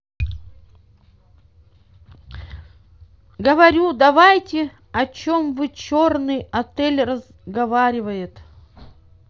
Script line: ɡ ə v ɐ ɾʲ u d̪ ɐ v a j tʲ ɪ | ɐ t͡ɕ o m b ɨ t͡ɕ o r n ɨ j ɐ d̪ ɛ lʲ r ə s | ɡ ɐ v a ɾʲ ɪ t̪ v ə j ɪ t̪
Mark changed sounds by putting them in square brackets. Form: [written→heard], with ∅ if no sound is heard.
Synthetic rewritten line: ɡ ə v ɐ ɾʲ u d̪ ɐ v a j tʲ ɪ | ɐ t͡ɕ o m [b→v] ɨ t͡ɕ o r n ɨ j ɐ [d̪→t̪] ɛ lʲ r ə [s→z] | ɡ ɐ v a ɾʲ ɪ [t̪→∅] v ə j ɪ t̪